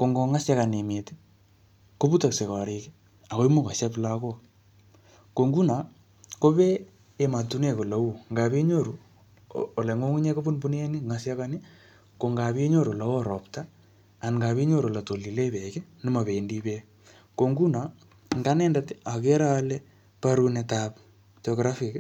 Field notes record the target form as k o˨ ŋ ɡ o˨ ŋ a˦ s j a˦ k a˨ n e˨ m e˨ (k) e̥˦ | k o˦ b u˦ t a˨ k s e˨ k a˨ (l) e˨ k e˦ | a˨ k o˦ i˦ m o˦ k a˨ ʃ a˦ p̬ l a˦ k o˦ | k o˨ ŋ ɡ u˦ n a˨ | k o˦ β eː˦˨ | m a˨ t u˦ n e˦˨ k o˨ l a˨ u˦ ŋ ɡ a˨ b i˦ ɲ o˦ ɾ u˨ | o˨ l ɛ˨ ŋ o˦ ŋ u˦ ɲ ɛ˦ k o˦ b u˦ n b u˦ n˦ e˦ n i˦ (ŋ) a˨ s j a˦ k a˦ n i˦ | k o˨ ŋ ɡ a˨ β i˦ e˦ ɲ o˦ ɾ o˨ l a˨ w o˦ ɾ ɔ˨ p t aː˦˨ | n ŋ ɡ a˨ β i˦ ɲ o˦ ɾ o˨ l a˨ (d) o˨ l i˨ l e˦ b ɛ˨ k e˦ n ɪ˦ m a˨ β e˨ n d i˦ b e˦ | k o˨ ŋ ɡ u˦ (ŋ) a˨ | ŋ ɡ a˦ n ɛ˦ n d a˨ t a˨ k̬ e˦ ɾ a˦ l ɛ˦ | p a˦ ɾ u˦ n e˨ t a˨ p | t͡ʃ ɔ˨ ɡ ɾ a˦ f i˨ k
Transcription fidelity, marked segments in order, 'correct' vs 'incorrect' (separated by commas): incorrect, incorrect, correct, incorrect, incorrect